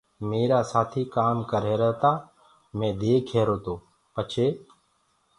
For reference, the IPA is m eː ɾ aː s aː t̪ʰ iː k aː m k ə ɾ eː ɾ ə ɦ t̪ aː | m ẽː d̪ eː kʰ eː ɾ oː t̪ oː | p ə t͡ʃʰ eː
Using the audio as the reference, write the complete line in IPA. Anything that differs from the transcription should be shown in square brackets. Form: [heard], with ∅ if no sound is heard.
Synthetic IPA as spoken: m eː ɾ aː s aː t̪ʰ iː k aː m k ə ɾ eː ɾ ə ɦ t̪ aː | m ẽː d̪ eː kʰ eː ɾ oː t̪ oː | p ə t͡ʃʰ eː